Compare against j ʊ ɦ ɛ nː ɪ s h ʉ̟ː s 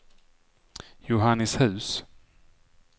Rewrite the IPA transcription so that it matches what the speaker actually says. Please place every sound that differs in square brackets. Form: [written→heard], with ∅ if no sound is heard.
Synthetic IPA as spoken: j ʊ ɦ [ɛ→a] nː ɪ s h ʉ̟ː s

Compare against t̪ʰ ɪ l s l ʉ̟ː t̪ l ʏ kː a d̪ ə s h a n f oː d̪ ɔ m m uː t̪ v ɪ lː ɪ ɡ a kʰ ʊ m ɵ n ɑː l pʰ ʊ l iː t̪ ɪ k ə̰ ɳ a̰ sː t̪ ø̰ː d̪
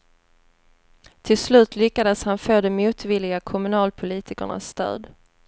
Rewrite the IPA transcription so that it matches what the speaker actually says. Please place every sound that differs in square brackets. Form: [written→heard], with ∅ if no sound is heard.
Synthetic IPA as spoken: t̪ʰ ɪ l s l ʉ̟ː t̪ l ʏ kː a d̪ ə s h a n f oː d̪ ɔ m m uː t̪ v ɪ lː ɪ ɡ a kʰ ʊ m ɵ n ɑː l pʰ ʊ l iː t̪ ɪ k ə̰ ɳ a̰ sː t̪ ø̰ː d̪

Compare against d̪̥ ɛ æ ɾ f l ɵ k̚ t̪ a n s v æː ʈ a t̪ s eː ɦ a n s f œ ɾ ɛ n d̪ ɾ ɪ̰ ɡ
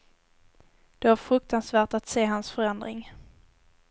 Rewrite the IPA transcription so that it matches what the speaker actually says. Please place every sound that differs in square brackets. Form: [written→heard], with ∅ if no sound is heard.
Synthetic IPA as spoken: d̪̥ ɛ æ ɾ f [l→ɾ] ɵ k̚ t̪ a n s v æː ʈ a t̪ s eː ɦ a n s f œ ɾ ɛ n d̪ ɾ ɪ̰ [ɡ→ŋ]

